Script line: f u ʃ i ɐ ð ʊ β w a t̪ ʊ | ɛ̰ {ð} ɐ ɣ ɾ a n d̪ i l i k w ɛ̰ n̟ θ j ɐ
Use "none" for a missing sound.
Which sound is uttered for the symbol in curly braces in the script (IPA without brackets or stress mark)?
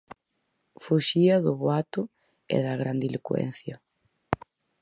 ð